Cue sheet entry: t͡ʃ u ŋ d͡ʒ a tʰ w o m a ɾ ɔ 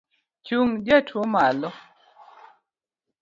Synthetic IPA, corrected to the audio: t͡ʃ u ŋ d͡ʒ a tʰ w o m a l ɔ